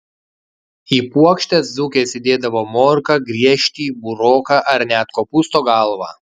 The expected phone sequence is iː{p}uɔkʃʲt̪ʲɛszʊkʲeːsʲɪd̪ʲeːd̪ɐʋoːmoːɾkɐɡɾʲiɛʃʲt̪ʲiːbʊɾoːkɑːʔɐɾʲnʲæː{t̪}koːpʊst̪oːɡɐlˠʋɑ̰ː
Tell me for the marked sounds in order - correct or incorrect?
correct, correct

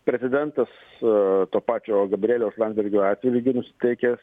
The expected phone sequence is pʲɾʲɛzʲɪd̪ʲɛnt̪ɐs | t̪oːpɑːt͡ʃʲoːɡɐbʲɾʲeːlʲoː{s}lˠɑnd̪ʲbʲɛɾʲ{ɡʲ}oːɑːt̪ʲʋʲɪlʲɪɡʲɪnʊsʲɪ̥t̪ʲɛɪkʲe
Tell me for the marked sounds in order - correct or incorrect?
correct, correct

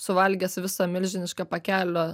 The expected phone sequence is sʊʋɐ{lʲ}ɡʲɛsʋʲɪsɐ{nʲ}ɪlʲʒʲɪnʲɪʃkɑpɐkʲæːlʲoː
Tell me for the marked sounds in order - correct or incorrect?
correct, incorrect

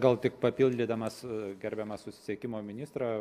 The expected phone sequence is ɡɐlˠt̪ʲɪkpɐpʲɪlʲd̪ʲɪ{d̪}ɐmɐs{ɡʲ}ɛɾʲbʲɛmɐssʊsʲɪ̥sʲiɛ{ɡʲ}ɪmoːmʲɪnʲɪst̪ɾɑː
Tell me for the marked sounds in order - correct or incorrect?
correct, correct, incorrect

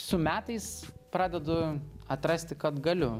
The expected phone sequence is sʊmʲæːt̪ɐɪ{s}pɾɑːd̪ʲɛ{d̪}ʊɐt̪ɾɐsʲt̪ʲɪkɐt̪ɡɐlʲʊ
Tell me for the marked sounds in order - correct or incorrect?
correct, correct

